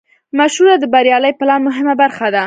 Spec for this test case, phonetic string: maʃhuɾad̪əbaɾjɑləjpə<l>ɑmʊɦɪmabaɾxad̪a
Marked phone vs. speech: correct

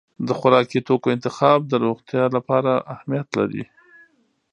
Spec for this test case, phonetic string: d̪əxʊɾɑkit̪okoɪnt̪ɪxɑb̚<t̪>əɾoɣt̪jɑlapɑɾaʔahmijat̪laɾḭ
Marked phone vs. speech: incorrect: d̪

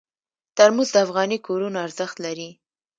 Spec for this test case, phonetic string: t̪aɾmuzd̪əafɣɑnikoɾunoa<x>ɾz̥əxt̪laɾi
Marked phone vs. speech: incorrect: none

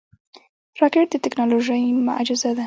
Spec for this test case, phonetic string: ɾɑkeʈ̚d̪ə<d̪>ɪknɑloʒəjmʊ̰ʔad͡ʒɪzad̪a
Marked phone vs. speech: incorrect: t̪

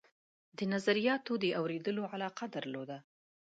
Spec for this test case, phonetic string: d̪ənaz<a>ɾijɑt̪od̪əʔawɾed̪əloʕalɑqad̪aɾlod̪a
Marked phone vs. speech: correct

